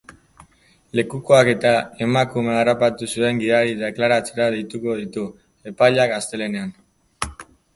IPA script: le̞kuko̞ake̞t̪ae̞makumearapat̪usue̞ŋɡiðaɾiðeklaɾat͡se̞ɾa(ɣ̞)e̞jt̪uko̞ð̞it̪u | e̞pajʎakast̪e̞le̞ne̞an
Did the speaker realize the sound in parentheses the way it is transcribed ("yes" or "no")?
no